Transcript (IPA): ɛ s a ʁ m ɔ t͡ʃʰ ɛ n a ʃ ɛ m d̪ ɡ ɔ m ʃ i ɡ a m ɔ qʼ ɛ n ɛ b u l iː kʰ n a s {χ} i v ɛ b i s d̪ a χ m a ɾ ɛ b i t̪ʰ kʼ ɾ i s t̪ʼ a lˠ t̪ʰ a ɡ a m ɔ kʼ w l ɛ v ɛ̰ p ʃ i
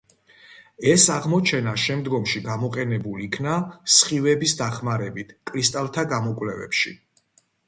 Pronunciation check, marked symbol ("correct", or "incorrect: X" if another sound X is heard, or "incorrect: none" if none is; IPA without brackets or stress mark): correct